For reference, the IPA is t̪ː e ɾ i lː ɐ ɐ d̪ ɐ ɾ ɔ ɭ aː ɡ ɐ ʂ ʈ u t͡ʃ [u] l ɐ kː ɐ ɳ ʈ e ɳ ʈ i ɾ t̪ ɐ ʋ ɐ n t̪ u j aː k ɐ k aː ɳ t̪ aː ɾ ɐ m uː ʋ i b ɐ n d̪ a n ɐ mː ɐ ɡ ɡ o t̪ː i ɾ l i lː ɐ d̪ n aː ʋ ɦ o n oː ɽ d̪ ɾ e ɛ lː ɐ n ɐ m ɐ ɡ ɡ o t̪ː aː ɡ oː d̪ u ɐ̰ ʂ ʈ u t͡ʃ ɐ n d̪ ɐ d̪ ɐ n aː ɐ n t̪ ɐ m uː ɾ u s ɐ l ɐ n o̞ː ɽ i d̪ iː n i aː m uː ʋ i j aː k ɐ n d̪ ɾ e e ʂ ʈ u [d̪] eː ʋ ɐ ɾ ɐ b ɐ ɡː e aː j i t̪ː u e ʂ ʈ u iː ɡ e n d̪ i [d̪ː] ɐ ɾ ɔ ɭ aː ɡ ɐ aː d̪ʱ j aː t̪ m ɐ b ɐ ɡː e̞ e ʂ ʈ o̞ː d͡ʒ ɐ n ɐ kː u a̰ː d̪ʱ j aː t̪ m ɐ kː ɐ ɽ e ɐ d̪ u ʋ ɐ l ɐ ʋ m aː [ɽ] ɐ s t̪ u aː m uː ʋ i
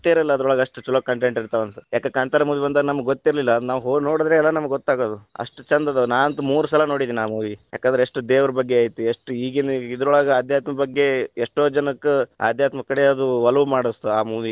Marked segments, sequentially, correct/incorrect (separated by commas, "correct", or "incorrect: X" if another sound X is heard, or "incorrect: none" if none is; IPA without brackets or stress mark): correct, correct, incorrect: d̪, correct